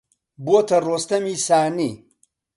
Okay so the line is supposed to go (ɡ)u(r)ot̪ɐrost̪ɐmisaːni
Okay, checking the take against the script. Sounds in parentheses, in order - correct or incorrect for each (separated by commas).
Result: incorrect, incorrect